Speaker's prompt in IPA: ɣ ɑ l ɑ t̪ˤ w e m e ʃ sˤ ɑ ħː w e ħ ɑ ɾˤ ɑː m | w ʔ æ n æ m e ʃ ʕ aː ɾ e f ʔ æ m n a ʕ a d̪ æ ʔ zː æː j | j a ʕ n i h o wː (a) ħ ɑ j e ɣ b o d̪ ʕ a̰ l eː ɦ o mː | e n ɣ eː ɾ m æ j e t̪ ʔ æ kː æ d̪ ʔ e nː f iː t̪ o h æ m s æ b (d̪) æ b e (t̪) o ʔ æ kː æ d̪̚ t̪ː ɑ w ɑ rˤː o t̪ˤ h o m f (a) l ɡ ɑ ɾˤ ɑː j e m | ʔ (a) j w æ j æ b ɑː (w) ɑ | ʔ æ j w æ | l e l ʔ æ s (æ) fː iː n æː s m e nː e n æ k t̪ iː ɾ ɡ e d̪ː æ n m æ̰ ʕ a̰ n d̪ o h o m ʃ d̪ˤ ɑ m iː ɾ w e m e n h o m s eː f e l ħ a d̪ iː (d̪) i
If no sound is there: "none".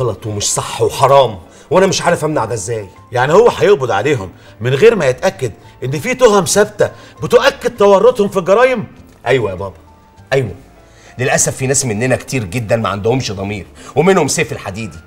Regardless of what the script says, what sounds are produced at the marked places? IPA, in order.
æ, t̪, t̪, i, æ, b, æ, d̪

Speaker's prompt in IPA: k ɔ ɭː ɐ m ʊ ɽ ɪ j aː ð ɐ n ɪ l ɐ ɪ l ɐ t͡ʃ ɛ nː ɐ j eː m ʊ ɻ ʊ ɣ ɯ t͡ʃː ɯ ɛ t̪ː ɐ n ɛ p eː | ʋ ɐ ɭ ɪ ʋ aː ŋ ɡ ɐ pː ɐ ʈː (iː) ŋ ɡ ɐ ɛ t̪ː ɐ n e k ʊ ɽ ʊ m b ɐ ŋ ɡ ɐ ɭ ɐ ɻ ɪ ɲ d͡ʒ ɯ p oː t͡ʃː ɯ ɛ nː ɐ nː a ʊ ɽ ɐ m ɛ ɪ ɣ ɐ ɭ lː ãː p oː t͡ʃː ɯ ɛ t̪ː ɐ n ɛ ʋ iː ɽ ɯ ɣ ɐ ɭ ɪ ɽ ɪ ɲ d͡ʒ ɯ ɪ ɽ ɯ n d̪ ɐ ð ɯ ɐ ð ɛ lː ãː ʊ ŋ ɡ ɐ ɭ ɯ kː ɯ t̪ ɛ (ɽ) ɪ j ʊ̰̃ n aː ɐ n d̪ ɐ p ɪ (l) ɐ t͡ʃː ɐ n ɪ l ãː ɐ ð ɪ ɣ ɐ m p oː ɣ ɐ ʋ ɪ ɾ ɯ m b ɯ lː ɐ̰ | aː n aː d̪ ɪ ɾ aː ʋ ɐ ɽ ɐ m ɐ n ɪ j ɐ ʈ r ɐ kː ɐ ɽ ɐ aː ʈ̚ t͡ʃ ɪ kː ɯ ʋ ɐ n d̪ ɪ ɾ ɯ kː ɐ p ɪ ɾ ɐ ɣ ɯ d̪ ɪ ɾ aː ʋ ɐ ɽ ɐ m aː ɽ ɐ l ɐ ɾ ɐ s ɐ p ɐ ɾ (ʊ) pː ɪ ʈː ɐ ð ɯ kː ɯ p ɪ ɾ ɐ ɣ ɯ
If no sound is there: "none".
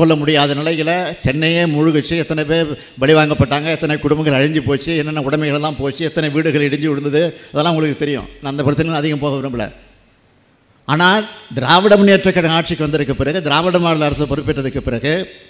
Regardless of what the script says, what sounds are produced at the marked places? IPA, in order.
aː, ɾ, ɾ, ɯ

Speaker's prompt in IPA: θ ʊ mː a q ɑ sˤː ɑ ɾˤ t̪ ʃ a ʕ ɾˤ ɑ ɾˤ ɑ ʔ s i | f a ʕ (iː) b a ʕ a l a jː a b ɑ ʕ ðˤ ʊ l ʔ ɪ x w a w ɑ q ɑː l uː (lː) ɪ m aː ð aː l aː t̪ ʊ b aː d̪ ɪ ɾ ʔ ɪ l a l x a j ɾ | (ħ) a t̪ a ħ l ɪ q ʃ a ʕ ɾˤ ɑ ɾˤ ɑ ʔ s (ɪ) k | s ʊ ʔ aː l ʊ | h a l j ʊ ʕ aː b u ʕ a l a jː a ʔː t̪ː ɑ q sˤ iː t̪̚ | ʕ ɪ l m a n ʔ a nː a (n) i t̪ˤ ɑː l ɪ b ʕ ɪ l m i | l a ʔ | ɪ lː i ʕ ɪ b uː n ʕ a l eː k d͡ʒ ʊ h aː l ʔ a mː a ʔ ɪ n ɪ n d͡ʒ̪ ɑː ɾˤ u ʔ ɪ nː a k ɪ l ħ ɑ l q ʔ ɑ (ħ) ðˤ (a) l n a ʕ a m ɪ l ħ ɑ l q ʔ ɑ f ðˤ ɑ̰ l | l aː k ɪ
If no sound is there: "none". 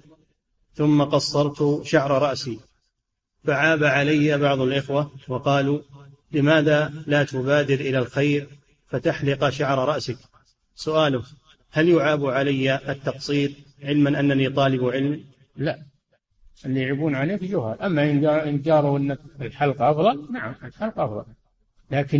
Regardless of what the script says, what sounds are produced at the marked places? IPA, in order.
aː, l, f, ɪ, n, f, ɑ

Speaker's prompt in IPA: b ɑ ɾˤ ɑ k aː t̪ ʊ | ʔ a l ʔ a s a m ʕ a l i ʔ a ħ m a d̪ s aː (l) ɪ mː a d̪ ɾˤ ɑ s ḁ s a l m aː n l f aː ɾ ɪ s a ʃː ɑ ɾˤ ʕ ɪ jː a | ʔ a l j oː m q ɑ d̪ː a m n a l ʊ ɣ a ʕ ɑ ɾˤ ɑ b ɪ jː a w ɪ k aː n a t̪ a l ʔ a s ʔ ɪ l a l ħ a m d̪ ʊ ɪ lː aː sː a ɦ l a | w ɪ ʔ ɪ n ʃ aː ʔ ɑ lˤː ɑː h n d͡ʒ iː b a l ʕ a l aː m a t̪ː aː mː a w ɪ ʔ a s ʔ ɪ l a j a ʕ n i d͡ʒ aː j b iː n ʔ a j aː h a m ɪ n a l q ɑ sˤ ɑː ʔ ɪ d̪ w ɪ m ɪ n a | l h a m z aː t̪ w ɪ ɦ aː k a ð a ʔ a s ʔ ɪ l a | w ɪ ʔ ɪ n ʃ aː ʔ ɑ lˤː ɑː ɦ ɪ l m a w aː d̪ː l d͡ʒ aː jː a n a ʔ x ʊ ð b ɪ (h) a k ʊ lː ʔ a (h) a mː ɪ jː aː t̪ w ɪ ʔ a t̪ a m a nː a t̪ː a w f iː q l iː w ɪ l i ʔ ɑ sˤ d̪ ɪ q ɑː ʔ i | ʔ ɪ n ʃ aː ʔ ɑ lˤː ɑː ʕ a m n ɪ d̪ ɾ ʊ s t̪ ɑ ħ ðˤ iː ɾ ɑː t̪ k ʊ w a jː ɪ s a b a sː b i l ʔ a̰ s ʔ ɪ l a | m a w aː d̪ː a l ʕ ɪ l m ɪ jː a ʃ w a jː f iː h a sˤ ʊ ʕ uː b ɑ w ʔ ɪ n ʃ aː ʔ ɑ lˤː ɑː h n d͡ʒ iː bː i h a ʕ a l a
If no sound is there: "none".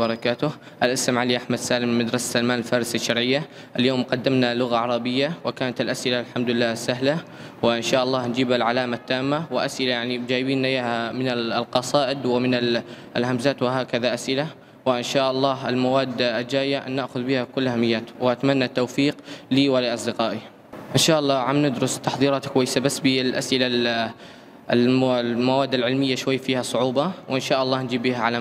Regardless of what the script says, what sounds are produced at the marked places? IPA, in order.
l, h, h

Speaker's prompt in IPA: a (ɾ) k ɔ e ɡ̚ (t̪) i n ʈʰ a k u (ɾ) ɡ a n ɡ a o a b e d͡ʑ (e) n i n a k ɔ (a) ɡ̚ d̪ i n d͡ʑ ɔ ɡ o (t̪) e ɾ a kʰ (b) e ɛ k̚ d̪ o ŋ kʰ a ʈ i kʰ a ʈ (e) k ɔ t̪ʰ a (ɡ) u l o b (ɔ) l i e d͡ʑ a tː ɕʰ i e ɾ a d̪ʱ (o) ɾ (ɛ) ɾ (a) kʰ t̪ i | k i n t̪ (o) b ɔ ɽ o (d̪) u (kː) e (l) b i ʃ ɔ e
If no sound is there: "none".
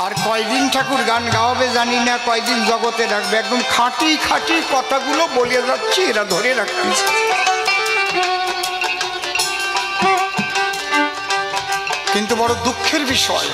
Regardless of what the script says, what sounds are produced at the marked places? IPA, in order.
ɾ, d̪, ɾ, a, e, t̪, b, i, ɡ, o, o, e, a, u, d̪, kʰː, ɾ

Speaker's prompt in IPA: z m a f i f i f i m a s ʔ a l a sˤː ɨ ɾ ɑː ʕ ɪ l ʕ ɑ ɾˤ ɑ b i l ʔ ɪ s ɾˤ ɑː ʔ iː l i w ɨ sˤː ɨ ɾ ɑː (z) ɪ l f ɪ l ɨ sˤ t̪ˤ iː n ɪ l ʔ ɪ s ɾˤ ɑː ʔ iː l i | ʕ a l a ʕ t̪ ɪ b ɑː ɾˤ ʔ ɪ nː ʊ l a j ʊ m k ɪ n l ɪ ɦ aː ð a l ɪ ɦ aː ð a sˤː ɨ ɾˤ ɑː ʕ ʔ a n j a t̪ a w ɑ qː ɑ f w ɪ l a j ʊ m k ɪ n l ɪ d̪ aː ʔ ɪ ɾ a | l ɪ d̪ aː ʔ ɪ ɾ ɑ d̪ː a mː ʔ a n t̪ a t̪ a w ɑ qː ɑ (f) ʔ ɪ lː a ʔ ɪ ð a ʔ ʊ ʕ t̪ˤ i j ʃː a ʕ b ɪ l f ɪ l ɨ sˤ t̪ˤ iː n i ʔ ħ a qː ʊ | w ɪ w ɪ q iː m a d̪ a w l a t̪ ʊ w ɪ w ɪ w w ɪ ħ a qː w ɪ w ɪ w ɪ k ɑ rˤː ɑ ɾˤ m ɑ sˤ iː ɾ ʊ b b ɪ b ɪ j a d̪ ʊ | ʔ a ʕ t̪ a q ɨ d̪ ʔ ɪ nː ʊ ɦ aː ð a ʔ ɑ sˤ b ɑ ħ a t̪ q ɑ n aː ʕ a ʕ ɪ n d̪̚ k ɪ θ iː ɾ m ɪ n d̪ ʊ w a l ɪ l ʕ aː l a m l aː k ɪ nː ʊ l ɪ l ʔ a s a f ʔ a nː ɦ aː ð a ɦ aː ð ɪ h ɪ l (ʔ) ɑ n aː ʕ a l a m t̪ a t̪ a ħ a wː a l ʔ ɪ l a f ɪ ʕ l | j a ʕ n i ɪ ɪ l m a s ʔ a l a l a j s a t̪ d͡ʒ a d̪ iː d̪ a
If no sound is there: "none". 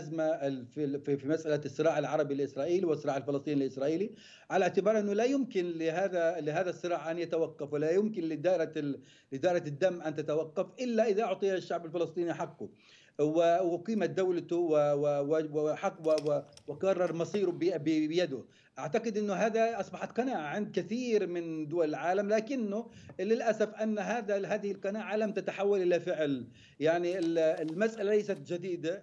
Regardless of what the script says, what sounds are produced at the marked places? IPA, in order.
ʕ, f, q

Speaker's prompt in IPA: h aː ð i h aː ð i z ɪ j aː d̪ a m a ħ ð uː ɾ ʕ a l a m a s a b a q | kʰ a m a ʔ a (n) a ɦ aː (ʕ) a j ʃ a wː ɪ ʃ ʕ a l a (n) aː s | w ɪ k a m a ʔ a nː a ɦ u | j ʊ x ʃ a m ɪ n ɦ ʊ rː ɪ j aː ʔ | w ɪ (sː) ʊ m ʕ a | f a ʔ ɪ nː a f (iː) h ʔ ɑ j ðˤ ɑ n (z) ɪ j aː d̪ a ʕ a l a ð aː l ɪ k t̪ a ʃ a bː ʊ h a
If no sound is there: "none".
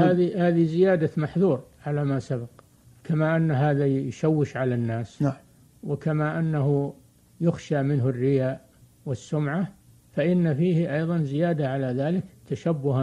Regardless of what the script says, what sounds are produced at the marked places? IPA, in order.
nː, ð, nː, sː, iː, z

